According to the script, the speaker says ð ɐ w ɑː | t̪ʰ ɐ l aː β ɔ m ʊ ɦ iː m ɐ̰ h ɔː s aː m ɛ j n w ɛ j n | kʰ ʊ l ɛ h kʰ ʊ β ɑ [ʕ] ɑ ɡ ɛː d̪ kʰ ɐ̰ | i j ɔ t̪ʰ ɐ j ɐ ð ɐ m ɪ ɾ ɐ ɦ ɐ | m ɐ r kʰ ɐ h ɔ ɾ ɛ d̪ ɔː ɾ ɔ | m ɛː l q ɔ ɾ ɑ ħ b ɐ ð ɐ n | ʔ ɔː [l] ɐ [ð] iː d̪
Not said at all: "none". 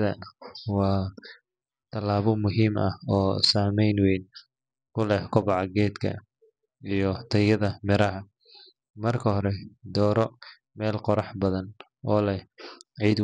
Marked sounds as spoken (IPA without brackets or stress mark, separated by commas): ʕ, l, ʕ